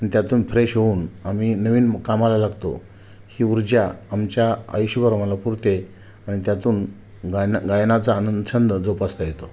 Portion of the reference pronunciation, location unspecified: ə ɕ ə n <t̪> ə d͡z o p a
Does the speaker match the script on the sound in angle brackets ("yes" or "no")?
no